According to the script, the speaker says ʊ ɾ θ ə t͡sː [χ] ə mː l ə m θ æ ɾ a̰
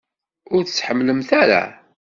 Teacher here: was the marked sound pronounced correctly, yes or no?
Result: no